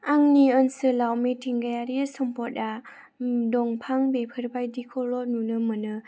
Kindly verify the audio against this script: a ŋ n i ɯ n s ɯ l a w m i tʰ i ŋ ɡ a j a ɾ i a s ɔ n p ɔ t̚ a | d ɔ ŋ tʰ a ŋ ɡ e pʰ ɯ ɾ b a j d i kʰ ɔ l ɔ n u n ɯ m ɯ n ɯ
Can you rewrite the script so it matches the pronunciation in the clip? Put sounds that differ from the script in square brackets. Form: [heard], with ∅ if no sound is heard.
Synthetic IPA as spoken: a ŋ n i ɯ n s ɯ l a w m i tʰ i ŋ ɡ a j a ɾ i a s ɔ [m] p ɔ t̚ a | d ɔ ŋ [pʰ] a ŋ [b] e pʰ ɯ ɾ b a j d i kʰ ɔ l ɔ n u n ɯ m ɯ n ɯ